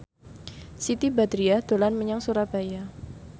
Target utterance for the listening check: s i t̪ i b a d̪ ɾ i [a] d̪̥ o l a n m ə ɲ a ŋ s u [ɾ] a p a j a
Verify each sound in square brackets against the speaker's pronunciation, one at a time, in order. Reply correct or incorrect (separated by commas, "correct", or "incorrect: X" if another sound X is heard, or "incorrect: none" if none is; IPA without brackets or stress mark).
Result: correct, correct